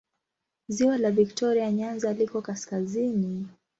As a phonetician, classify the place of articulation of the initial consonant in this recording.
alveolar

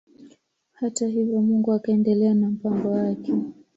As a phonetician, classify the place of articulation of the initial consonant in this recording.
glottal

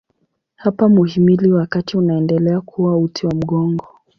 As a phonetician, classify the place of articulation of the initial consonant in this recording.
glottal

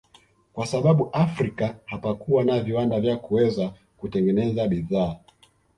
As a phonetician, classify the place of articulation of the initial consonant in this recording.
velar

